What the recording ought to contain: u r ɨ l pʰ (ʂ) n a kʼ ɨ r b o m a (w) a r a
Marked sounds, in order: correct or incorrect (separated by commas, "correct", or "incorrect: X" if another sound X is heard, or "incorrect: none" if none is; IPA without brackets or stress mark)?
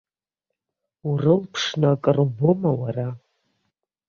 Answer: correct, correct